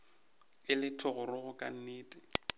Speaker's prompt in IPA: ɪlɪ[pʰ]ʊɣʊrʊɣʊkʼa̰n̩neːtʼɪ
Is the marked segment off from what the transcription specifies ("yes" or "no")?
yes